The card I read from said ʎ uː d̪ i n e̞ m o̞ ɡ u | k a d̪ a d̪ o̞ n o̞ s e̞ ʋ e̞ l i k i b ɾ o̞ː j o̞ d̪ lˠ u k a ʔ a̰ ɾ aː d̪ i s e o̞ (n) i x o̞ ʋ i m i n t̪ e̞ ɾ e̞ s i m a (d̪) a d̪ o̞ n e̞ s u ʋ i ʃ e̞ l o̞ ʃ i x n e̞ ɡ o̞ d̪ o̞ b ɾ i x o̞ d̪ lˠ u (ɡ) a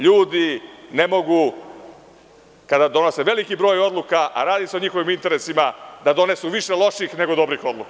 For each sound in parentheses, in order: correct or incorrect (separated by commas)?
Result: incorrect, correct, incorrect